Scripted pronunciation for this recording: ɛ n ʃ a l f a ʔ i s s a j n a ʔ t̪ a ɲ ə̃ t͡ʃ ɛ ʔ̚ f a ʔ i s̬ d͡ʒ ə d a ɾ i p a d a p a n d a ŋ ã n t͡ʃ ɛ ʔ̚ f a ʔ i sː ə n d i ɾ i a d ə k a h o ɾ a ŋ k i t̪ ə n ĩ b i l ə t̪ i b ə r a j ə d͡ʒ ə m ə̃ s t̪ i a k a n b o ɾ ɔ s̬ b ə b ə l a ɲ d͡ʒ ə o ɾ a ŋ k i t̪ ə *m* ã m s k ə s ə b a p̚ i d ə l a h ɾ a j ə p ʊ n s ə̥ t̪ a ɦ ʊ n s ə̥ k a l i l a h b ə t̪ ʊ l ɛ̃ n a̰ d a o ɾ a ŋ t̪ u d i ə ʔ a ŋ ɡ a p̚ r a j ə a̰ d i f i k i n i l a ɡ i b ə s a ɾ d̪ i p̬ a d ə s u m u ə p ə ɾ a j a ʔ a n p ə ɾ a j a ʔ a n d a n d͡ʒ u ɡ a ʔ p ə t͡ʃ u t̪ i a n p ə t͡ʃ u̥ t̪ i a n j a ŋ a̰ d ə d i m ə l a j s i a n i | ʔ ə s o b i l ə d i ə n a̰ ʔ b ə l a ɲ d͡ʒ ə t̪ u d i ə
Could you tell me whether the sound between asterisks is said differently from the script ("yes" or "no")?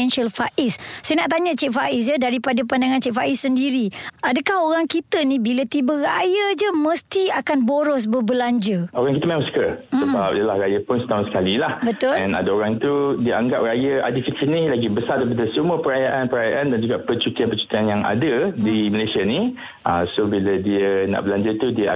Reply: no